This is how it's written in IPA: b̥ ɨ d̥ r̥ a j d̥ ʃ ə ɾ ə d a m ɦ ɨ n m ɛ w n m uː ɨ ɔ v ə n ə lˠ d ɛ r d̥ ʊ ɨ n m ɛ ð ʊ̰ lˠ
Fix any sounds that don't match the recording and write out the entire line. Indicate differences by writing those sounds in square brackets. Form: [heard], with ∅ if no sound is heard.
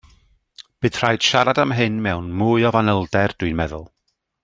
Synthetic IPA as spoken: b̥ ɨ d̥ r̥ a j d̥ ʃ [a] ɾ [a] d a m ɦ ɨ n m ɛ w n m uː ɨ ɔ v [a] n ə lˠ d ɛ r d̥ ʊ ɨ n m ɛ ð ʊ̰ lˠ